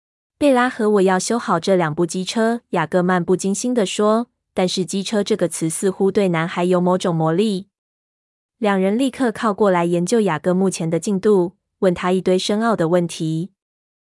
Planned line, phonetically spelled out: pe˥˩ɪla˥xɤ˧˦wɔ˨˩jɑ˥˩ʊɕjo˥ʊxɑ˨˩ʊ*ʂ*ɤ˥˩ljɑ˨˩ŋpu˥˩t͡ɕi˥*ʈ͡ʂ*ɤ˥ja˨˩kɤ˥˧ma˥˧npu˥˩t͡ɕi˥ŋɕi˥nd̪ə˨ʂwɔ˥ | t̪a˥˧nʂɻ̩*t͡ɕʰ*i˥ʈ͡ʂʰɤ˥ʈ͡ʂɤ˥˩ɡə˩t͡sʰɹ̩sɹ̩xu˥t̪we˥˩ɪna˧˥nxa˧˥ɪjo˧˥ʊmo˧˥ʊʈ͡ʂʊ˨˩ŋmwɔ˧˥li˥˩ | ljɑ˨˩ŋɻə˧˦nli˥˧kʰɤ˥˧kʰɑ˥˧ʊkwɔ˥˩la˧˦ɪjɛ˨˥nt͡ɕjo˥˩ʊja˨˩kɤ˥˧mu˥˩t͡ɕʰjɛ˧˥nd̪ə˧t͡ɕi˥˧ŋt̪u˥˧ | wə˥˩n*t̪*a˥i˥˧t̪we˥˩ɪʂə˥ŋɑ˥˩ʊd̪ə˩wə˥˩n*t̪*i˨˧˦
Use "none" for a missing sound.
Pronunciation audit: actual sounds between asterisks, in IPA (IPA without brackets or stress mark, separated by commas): ʈ͡ʂ, ʈ͡ʂʰ, t͡ɕ, t̪ʰ, t̪ʰ